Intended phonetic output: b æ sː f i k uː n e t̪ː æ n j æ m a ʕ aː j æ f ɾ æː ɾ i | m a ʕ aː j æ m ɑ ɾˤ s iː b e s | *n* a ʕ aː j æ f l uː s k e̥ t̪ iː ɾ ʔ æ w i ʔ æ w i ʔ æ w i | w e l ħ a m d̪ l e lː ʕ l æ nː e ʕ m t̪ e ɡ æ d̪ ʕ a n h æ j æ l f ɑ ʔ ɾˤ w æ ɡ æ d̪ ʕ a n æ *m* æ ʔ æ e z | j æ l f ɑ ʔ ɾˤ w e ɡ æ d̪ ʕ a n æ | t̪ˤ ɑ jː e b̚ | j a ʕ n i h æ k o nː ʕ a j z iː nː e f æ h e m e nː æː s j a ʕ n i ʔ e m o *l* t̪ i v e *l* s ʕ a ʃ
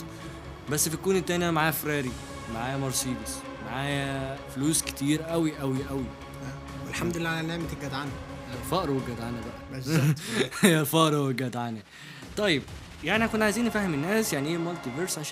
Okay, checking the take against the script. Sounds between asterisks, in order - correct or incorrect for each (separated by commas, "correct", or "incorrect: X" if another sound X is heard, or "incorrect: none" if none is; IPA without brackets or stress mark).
incorrect: m, incorrect: b, correct, incorrect: ɾ